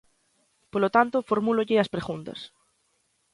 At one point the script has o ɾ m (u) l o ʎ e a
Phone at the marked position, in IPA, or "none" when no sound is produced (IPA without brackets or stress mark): u